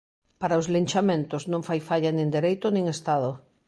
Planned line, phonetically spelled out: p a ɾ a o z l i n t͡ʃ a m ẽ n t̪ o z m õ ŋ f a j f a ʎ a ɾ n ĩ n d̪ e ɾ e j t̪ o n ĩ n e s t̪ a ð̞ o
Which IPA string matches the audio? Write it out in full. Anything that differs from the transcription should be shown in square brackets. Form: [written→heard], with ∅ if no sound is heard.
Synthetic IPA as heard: p a ɾ a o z l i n t͡ʃ a m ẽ n t̪ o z [m→n] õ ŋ f a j f a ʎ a [ɾ→∅] n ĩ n d̪ e ɾ e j t̪ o n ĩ [n→ŋ] e s t̪ a ð̞ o